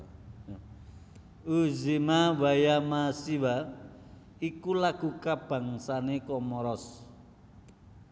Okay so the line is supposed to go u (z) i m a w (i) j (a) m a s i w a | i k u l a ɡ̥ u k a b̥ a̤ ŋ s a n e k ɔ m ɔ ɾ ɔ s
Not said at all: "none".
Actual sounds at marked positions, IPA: z, a, a

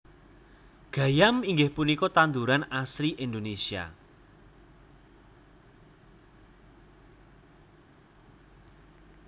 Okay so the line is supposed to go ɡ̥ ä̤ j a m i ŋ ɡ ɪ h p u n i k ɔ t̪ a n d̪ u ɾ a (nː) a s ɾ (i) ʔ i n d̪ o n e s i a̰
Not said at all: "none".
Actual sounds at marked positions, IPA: n, i

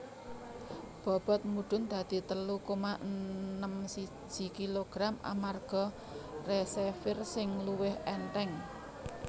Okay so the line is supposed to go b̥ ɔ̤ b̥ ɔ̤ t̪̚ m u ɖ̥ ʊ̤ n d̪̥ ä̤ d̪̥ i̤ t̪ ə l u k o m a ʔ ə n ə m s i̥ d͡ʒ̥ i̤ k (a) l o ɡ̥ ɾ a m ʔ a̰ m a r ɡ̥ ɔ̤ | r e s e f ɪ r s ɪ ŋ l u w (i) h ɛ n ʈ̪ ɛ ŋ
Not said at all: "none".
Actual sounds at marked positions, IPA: i, ɪ

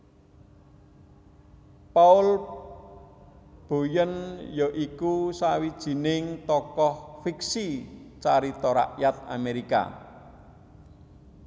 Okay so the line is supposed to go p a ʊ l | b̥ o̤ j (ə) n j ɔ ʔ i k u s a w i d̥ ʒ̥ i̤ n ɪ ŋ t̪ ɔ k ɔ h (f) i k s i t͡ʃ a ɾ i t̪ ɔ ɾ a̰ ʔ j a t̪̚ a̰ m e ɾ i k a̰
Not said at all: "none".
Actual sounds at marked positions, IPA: ə, f

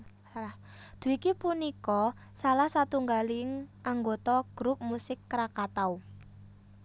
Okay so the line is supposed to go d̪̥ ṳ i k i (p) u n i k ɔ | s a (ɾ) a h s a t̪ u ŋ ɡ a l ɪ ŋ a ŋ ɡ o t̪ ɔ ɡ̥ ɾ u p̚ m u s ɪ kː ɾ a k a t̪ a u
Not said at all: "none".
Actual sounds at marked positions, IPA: p, l

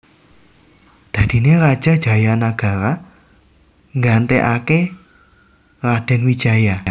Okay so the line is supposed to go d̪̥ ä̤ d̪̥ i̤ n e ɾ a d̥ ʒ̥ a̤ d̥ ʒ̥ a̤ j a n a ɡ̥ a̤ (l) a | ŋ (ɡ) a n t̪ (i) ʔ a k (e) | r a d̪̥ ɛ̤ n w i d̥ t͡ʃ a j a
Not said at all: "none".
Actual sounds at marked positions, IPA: ɾ, ɡ, e, e

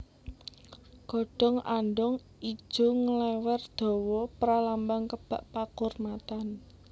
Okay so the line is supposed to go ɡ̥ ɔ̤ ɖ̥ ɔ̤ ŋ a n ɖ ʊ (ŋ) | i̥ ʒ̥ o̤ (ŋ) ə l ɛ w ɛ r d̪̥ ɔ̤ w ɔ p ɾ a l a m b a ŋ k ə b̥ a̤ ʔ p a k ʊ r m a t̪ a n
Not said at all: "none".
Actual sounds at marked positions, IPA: ŋ, ŋ

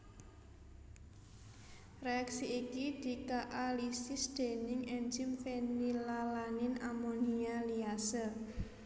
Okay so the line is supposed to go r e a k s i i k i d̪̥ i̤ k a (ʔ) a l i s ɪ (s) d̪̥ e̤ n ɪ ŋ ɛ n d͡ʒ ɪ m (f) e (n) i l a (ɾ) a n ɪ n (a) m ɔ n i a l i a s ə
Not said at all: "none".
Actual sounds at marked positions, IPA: ʔ, s, f, n, l, a

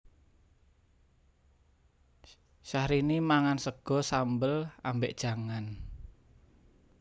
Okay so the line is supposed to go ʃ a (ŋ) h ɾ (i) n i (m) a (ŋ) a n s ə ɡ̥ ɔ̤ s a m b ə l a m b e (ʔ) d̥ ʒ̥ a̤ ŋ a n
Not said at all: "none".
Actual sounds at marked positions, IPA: none, i, m, ŋ, ʔ

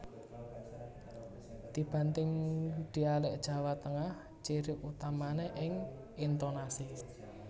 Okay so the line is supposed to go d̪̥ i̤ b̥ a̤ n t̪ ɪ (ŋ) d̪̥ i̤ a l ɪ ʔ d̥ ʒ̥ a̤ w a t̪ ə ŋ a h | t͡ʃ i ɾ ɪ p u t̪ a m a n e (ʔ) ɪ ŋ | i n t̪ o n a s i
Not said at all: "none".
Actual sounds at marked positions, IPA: ŋ, ʔ

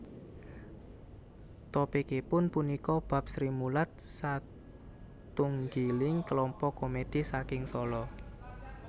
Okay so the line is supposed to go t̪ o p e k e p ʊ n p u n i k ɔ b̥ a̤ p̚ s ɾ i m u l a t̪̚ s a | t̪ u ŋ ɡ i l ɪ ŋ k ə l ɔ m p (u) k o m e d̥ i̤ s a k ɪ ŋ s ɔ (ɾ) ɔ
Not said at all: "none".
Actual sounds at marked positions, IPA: ɔ, l

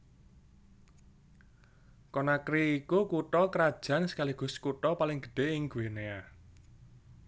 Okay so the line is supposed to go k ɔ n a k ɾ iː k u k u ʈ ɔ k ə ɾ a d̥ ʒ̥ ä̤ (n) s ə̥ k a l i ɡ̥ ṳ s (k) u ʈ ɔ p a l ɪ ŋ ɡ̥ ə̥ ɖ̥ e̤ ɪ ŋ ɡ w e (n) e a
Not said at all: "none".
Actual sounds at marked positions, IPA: n, k, n

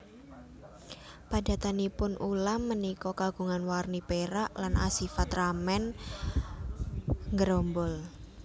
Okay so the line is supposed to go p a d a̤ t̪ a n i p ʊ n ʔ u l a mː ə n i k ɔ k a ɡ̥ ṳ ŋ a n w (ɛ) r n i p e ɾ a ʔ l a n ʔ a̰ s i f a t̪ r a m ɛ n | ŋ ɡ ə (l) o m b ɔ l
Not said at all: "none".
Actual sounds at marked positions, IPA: a, ɾ

